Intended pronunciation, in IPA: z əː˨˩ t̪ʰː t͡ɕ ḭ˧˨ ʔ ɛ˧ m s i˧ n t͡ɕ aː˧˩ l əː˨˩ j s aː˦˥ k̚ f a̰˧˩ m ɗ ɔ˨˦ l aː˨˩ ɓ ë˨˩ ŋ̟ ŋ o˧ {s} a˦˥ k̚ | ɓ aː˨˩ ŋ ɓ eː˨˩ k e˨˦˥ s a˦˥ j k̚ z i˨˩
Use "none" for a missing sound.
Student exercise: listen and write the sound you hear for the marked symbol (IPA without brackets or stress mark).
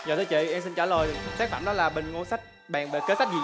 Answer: s